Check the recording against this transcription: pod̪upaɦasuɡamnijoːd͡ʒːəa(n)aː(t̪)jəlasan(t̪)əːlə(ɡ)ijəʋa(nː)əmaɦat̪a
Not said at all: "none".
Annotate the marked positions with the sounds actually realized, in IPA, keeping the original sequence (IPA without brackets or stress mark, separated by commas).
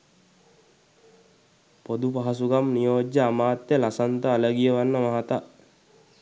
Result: m, t̪, t̪, ɡ, nː